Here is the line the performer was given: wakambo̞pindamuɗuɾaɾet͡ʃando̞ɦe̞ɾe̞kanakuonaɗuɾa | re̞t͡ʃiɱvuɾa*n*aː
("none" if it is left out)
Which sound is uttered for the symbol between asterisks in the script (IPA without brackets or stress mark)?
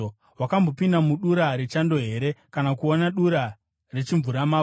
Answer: m